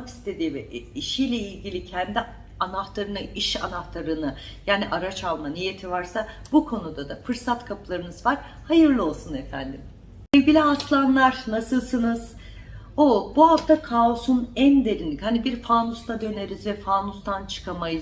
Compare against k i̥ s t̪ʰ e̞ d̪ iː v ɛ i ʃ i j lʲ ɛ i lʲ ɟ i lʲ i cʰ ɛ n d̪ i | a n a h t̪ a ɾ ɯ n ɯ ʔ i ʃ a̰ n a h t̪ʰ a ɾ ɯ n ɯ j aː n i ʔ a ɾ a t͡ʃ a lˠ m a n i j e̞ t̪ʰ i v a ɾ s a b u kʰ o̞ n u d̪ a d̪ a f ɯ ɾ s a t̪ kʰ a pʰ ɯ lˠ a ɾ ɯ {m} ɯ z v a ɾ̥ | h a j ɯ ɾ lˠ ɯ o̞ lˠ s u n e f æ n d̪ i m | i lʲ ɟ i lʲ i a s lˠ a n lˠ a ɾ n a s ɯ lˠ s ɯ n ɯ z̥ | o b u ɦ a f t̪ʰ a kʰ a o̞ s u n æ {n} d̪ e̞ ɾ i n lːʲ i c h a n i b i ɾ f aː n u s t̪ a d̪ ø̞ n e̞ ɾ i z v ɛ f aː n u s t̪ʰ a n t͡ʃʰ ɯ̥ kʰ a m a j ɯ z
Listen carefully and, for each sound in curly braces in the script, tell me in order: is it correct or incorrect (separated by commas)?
incorrect, correct